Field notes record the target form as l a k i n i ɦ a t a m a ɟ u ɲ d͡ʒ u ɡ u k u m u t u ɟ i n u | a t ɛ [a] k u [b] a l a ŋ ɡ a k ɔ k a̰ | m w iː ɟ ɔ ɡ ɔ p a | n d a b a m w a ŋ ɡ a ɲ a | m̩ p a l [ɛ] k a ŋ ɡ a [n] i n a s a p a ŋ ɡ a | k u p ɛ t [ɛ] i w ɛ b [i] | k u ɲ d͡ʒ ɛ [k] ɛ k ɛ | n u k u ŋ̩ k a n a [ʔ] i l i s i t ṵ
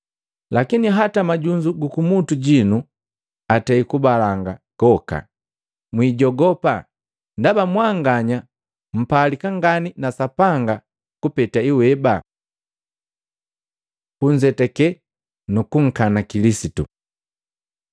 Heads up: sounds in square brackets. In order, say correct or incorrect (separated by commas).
incorrect, correct, incorrect, correct, incorrect, incorrect, incorrect, incorrect